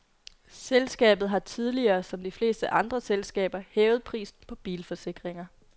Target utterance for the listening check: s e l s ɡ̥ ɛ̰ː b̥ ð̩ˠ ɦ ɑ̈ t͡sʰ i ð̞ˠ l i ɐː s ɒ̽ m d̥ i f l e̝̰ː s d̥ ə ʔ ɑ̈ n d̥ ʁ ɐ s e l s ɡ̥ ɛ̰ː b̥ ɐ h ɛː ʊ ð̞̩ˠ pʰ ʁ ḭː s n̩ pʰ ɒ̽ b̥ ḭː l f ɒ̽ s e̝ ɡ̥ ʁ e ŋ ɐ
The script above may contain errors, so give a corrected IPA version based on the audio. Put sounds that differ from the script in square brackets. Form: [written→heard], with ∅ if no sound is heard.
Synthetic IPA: s e l s ɡ̥ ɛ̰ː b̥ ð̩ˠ ɦ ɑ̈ t͡sʰ i ð̞ˠ l i ɐː s ɒ̽ m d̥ i f l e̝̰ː s d̥ ə ʔ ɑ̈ n d̥ ʁ ɐ s e l s ɡ̥ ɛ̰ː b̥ ɐ h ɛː ʊ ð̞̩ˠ pʰ ʁ ḭː s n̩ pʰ ɒ̽ b̥ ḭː l f ɒ̽ s e̝ ɡ̥ ʁ e ŋ ɐ

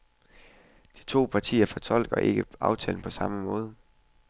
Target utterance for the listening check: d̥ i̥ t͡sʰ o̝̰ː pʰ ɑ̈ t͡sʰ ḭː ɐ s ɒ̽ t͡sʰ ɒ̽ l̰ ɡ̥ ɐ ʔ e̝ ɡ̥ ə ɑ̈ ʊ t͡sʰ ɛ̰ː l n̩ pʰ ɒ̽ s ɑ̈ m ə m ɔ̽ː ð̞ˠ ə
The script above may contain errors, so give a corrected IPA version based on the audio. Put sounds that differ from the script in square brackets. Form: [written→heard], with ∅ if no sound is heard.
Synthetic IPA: d̥ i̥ t͡sʰ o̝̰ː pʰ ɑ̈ t͡sʰ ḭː ɐ [s→f] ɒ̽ t͡sʰ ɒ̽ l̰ ɡ̥ ɐ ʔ e̝ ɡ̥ ə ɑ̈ ʊ t͡sʰ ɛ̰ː l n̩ pʰ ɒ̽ s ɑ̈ m ə m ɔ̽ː ð̞ˠ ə

